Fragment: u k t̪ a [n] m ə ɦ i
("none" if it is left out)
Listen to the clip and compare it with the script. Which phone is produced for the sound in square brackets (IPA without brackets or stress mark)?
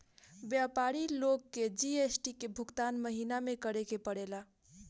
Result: n